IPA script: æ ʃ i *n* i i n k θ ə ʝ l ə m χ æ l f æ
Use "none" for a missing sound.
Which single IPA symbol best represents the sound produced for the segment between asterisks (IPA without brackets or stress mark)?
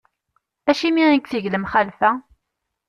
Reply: m